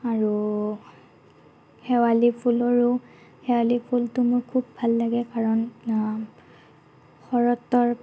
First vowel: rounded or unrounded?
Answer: unrounded